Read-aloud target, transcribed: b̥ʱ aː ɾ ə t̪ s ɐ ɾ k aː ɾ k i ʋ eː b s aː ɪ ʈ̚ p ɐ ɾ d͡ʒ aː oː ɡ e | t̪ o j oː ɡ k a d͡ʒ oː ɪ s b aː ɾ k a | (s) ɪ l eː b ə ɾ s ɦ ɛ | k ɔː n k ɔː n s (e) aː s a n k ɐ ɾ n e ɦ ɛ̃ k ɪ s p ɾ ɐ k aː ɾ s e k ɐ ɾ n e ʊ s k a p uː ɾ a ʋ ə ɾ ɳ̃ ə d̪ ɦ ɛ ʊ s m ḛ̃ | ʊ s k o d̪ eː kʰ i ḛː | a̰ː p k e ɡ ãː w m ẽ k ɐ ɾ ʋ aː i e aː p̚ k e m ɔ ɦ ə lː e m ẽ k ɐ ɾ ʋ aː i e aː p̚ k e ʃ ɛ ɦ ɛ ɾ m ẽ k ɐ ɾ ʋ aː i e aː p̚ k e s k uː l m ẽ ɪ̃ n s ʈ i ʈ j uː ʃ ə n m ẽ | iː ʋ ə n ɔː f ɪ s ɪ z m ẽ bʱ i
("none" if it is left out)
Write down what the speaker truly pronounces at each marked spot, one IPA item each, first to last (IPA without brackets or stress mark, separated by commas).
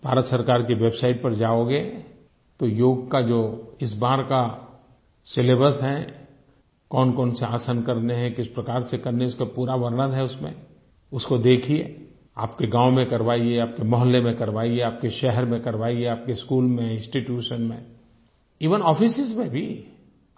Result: s, e